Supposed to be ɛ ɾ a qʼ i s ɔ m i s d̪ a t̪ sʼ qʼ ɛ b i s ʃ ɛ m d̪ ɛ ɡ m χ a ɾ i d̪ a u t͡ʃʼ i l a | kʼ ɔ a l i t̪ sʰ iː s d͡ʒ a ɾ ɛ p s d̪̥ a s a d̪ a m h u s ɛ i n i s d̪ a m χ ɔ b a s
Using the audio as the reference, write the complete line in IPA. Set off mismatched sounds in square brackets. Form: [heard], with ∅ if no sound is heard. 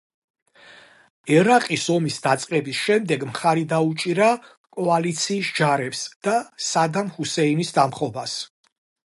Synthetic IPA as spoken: ɛ ɾ a qʼ i s ɔ m i s d̪ a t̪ sʼ qʼ ɛ b i s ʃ ɛ m d̪ ɛ ɡ m χ a ɾ i d̪ a u t͡ʃʼ i [ɾ] a | kʼ ɔ a l i t̪ sʰ iː s d͡ʒ a ɾ ɛ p s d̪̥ a s a d̪ a m h u s ɛ i n i s d̪ a m χ ɔ b a s